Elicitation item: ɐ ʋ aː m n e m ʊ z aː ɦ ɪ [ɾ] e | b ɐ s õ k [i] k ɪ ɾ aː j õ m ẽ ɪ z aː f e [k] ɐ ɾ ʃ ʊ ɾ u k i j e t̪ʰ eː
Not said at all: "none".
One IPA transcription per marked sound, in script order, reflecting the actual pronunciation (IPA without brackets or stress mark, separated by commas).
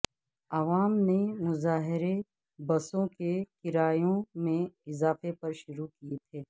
ɾ, e, p